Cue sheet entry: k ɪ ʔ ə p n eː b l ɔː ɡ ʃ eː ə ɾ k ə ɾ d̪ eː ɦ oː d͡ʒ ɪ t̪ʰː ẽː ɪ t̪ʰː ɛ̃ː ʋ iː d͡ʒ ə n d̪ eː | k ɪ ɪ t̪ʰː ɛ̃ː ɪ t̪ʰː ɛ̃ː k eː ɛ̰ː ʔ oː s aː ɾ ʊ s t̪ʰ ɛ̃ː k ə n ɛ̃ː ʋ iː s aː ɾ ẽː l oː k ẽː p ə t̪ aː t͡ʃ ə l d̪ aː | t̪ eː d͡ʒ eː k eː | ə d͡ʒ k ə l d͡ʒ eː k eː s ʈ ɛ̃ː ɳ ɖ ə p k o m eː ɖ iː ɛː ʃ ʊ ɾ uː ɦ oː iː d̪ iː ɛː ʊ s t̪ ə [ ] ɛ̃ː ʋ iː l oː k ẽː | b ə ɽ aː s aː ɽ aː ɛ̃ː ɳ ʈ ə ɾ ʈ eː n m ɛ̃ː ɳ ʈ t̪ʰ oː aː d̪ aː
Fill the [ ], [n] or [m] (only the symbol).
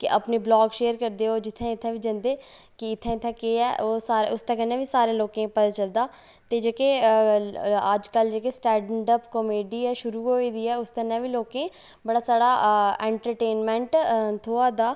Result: n